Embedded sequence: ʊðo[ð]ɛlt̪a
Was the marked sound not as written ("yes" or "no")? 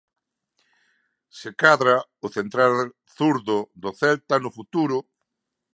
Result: yes